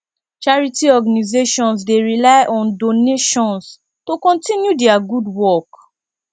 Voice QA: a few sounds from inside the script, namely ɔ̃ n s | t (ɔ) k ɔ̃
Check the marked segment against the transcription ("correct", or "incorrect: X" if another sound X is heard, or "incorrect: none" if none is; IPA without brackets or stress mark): incorrect: o